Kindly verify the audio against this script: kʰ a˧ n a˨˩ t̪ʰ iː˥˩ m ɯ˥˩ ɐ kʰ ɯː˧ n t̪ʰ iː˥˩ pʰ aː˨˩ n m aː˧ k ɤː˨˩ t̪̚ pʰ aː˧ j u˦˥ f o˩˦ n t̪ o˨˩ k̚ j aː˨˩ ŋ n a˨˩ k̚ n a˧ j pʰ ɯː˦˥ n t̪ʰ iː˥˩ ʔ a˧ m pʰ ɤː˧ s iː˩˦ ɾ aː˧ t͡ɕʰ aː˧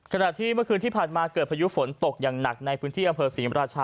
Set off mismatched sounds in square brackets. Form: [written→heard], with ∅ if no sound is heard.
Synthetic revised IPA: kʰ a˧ n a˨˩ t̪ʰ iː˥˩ m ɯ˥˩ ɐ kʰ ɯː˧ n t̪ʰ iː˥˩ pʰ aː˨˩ n m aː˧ k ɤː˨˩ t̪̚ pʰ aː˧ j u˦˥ f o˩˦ n t̪ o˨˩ k̚ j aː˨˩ ŋ n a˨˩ k̚ n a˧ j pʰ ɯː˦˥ n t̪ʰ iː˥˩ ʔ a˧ m pʰ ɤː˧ s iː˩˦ ɾ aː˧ t͡ɕʰ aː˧